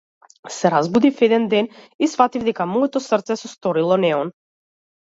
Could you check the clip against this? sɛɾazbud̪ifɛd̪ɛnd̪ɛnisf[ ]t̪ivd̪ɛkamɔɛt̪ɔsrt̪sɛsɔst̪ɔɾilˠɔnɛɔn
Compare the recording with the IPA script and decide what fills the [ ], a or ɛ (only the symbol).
a